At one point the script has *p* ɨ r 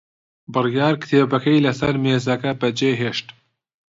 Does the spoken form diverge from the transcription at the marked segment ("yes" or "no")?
yes